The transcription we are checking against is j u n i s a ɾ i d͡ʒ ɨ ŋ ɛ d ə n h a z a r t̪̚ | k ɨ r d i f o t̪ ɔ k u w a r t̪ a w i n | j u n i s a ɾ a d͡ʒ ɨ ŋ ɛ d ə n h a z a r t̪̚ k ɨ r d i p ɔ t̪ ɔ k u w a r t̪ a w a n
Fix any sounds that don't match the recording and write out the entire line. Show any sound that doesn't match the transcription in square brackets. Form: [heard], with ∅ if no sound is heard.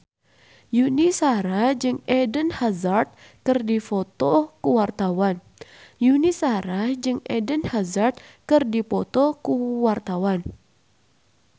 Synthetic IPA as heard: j u n i s a ɾ [a] d͡ʒ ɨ ŋ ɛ d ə n h a z a r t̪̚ | k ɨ r d i f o t̪ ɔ k u w a r t̪ a w [a] n | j u n i s a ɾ a d͡ʒ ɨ ŋ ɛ d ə n h a z a r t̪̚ k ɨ r d i p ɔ t̪ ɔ k u w a r t̪ a w a n